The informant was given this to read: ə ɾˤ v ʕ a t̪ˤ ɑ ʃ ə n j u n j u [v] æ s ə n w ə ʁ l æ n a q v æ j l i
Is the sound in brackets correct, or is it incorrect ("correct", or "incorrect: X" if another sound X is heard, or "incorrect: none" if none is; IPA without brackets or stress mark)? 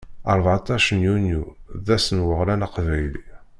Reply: incorrect: ð